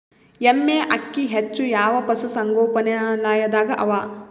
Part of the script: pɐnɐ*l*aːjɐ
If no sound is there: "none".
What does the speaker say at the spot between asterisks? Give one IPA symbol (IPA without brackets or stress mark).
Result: l